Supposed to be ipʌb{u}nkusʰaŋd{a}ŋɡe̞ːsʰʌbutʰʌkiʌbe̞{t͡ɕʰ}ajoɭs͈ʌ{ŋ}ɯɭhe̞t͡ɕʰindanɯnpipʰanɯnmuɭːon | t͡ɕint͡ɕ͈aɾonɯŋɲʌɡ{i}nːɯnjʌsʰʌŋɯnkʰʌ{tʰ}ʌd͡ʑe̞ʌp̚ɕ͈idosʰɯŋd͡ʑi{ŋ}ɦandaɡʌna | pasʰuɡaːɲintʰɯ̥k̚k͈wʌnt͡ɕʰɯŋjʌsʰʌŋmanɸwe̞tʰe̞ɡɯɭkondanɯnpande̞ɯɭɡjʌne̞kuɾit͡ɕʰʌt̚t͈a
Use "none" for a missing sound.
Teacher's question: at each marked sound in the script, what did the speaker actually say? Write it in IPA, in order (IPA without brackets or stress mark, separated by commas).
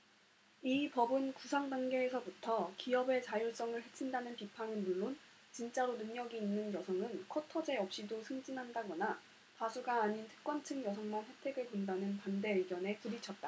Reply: ɯ, a, t͡ɕ, ŋ, iː, tʰ, n